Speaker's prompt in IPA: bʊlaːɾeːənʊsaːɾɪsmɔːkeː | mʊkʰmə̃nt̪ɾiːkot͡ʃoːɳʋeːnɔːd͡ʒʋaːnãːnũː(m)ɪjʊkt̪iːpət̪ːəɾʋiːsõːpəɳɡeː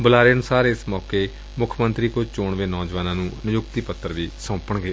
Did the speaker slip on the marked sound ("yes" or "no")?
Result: yes